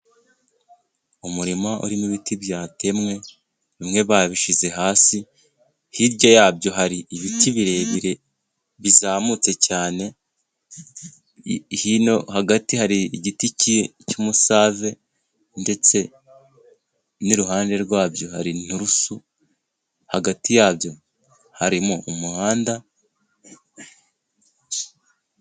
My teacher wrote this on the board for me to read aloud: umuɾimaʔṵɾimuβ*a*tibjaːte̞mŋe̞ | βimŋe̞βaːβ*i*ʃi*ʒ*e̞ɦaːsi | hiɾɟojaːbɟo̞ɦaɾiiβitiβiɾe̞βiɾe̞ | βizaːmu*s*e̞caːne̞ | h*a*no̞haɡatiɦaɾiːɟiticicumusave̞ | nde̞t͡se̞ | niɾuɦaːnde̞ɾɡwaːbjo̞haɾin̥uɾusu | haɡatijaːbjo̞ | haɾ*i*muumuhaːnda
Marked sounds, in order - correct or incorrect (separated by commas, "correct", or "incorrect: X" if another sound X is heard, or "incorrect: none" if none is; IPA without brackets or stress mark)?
incorrect: i, correct, incorrect: z, incorrect: t͡s, incorrect: i, correct